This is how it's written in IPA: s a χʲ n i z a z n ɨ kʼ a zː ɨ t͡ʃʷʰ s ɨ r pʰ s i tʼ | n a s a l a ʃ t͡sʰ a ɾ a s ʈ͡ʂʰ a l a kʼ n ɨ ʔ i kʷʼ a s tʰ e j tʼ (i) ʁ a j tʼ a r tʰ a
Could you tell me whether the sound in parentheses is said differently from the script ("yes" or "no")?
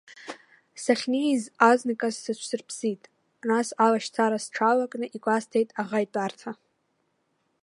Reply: yes